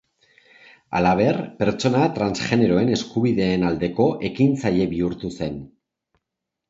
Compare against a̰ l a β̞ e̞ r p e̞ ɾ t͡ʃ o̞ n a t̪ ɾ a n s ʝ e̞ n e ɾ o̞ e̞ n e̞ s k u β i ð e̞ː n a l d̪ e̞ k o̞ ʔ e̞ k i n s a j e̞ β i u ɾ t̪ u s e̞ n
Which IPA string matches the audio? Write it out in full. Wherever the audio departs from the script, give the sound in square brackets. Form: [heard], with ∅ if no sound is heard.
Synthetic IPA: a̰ l a β̞ e̞ r p e̞ ɾ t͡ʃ o̞ n a t̪ ɾ a n s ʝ e̞ n e ɾ o̞ e̞ n e̞ s k u β i ð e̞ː n a l d̪ e̞ k o̞ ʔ e̞ k i n [t͡s] a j e̞ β i u ɾ t̪ u s e̞ n